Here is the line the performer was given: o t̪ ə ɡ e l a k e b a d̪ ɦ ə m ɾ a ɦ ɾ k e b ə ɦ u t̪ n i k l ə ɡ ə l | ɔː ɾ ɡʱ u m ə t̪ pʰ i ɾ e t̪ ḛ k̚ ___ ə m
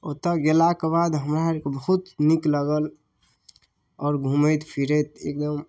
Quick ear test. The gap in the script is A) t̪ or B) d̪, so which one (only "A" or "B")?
B